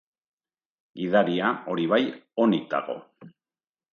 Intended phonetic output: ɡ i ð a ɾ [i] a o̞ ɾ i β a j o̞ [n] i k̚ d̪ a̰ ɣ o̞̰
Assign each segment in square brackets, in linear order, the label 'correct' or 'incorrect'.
correct, correct

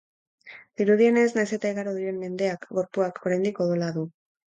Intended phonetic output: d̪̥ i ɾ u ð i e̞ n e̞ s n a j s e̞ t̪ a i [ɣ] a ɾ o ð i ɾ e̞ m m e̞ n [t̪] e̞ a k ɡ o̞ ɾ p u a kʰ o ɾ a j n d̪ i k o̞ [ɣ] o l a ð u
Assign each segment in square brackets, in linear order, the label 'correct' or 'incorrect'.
correct, incorrect, incorrect

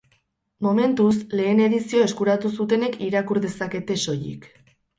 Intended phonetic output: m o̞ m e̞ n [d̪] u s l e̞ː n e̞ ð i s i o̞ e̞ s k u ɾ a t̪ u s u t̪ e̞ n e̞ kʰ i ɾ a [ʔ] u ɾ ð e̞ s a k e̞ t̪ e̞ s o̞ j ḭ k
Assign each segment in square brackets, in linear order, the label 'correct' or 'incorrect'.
incorrect, incorrect

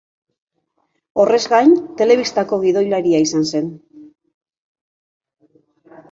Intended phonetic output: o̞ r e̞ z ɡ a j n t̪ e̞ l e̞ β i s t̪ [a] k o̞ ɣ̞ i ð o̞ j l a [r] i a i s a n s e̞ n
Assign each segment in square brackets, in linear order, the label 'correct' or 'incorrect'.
correct, incorrect

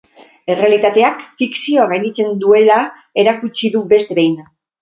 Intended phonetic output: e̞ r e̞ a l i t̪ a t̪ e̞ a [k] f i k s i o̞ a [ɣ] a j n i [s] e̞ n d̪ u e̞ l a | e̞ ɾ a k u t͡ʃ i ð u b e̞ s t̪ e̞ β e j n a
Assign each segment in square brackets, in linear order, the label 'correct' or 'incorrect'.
correct, correct, incorrect

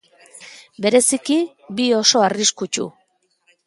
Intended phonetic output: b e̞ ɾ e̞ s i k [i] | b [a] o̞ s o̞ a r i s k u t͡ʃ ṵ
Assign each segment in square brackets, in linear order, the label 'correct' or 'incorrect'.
correct, incorrect

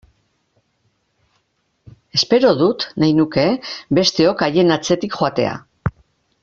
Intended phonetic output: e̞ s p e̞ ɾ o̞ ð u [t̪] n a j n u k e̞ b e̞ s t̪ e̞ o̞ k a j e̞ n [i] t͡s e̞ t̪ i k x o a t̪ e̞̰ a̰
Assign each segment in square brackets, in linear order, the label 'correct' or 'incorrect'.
correct, incorrect

